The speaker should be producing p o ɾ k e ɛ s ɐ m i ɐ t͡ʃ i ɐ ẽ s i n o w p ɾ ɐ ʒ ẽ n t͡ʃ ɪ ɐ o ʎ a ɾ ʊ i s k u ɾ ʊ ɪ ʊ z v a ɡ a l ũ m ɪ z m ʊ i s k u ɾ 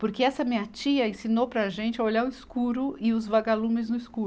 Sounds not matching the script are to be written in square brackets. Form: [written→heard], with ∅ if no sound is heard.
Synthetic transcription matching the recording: p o ɾ k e ɛ s ɐ m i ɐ t͡ʃ i ɐ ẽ s i n o w p ɾ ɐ ʒ ẽ n t͡ʃ ɪ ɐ o ʎ a ɾ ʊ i s k u ɾ ʊ ɪ ʊ z v a ɡ a l ũ m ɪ z [m→n] ʊ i s k u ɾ